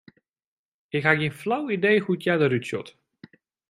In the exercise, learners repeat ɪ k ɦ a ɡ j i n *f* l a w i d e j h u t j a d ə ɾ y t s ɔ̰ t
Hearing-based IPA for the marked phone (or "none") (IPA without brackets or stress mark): f